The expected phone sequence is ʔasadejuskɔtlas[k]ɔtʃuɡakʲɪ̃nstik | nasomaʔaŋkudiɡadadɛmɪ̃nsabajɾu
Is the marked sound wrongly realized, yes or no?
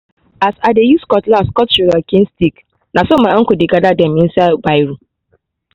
no